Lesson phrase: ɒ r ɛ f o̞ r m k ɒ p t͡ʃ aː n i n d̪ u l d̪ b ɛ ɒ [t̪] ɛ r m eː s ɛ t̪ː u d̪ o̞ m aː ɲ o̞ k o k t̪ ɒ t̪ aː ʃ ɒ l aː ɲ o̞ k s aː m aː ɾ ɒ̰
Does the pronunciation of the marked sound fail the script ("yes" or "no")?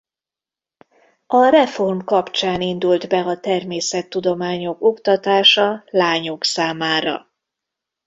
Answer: no